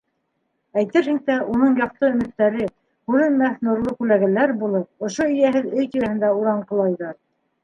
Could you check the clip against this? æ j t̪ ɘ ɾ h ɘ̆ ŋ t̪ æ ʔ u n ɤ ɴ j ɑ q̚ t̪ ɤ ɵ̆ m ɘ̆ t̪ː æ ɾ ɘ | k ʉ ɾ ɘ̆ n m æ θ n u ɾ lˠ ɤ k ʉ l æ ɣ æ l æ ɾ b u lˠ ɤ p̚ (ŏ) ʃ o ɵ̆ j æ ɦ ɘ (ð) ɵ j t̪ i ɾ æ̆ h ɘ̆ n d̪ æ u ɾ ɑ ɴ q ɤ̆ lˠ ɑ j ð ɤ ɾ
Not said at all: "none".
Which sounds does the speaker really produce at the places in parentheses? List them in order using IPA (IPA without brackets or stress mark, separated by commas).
ŏ, ð